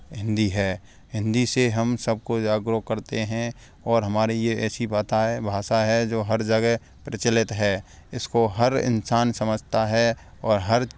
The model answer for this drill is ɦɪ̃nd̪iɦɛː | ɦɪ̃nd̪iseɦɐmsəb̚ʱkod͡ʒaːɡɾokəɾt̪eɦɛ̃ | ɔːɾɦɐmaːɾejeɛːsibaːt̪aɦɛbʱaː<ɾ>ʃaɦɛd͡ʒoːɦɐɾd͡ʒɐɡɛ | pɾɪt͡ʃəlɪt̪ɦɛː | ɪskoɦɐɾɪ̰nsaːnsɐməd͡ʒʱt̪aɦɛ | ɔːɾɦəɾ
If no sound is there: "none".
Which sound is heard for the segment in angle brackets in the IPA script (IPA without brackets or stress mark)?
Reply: none